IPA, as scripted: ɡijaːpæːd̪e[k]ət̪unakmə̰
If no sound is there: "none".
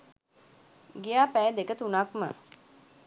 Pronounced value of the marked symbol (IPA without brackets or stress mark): k